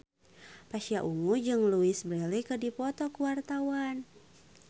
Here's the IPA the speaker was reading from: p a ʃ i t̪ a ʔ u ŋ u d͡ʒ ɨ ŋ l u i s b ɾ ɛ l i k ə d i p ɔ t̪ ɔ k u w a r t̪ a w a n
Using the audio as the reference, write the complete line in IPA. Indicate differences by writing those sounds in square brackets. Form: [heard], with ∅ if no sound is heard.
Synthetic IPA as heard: p a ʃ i [∅] a ʔ u ŋ u d͡ʒ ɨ ŋ l u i s b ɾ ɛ l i k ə d i p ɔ t̪ ɔ k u w a r t̪ a w a n